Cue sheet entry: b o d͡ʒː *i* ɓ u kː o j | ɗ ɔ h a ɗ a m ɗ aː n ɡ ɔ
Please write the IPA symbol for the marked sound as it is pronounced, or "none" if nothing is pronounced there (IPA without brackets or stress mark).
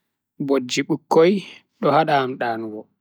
i